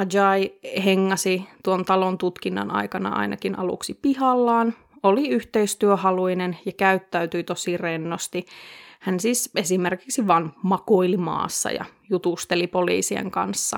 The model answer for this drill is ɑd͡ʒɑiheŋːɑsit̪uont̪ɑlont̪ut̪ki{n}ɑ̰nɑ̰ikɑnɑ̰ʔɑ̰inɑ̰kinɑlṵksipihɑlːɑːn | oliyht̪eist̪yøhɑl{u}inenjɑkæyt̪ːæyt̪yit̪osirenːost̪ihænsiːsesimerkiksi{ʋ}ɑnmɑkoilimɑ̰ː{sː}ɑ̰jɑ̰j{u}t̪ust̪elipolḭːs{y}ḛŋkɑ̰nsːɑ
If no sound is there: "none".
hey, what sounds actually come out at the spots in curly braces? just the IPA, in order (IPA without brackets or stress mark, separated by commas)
nː, u, ʋ, sː, u, i